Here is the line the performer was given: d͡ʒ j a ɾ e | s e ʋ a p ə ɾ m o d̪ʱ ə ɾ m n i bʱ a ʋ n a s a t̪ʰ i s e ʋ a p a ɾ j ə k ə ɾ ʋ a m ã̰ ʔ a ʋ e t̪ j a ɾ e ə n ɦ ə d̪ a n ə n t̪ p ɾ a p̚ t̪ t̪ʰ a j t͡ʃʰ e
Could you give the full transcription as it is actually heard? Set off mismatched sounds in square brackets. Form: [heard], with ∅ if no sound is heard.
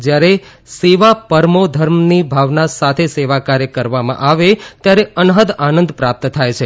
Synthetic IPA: d͡ʒ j a ɾ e | s e ʋ a p ə ɾ m o d̪ʱ ə ɾ m n i bʱ a ʋ n a s a t̪ʰ [e] s e ʋ a [k] a ɾ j ə k ə ɾ ʋ a m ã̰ ʔ a ʋ e t̪ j a ɾ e ə n ɦ ə d̪ a n ə n [d̪] p ɾ a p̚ t̪ t̪ʰ a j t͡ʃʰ e